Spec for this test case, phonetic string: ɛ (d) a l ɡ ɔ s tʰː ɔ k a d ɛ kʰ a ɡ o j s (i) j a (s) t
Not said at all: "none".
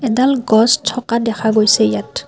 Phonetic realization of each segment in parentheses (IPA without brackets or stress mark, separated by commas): d, ɛ, none